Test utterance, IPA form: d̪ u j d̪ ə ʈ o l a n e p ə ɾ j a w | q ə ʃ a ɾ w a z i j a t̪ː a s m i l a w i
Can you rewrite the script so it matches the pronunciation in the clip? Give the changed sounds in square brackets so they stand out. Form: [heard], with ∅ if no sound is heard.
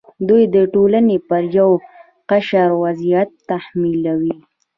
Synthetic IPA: d̪ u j d̪ ə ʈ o l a n e p ə ɾ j a w | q [a] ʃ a ɾ w a z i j a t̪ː a [h] m i l a w i